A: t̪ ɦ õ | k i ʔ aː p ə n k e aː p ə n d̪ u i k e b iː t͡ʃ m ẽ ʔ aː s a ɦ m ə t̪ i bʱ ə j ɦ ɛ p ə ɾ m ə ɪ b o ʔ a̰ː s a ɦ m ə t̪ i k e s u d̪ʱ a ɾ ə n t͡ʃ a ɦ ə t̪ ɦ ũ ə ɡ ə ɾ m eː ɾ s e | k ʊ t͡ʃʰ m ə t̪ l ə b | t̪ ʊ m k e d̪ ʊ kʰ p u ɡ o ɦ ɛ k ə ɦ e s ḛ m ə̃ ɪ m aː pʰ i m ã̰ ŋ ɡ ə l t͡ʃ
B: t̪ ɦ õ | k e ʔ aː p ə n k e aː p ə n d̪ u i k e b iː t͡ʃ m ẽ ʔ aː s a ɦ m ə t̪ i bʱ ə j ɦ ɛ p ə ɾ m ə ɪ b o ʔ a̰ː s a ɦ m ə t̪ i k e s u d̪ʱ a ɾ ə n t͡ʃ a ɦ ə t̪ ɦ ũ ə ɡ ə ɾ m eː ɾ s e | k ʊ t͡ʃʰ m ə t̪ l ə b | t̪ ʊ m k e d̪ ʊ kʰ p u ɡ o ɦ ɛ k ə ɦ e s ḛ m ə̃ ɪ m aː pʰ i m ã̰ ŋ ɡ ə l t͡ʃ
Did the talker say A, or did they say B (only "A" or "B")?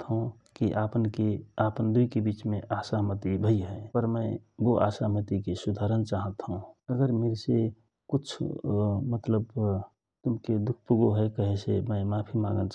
A